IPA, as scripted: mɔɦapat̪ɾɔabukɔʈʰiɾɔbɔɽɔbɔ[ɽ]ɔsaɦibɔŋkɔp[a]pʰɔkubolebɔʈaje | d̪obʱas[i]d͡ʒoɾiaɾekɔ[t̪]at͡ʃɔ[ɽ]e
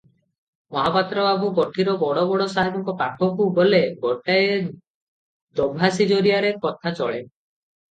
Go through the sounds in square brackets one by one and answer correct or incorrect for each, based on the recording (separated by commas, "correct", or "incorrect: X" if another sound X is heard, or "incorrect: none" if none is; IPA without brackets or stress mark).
correct, correct, correct, incorrect: t̪ʰ, incorrect: ɭ